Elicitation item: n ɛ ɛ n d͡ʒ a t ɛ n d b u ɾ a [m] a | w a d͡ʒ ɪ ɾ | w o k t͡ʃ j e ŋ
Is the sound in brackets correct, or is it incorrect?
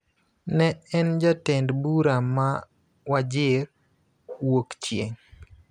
correct